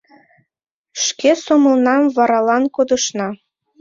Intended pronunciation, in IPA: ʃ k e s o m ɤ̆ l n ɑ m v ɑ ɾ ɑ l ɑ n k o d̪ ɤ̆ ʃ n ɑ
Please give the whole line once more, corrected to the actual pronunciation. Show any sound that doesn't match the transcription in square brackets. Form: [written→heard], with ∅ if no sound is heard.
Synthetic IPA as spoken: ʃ k e s o m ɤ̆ l n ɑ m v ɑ ɾ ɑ l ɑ n k o d̪ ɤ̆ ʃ n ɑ